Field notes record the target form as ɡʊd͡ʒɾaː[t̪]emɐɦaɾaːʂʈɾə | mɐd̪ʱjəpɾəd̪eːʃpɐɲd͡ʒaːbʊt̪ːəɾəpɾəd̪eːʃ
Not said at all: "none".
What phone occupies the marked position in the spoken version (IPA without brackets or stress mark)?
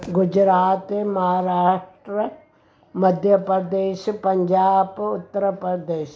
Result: t̪